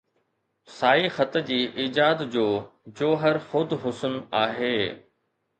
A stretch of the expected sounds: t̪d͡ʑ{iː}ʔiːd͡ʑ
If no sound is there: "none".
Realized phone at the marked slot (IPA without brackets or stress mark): iː